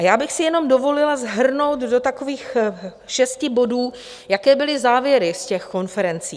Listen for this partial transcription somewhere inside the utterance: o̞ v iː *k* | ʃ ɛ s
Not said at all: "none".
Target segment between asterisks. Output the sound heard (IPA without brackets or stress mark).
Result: x